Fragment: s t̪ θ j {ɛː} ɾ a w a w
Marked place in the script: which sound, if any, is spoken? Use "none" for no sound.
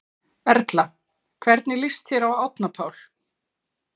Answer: ɛ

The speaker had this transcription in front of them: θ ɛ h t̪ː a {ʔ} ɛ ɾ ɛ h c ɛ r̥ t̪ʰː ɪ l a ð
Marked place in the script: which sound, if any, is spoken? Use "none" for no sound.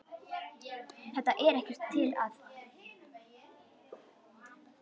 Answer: ʔ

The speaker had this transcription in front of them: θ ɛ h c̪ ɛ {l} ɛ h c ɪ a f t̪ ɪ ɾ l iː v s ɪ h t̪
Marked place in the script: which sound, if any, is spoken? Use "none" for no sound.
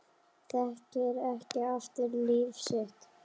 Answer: ɾ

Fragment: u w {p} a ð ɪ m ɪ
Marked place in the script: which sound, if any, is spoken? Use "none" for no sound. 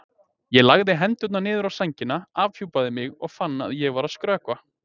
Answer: p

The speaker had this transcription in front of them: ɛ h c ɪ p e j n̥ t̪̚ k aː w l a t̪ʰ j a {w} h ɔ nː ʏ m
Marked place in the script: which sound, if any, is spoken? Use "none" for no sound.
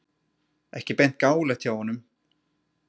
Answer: w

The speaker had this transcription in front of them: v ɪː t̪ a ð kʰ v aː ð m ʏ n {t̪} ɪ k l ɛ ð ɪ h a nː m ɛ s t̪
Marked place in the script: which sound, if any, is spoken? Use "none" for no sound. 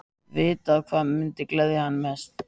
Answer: t̪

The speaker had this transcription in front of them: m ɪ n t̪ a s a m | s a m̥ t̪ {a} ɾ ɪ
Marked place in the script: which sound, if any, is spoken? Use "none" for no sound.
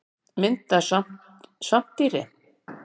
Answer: i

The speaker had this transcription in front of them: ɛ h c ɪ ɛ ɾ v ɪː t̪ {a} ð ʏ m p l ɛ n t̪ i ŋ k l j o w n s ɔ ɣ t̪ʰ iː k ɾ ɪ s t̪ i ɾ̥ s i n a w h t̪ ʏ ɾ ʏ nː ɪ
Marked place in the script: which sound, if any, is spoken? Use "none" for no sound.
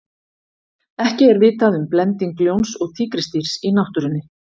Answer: a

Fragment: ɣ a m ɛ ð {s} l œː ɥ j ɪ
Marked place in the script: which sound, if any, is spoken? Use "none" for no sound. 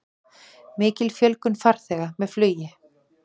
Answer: f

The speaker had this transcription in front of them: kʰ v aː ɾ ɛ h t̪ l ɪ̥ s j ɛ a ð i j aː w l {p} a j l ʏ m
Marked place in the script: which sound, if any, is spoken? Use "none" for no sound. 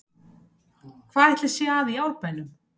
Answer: p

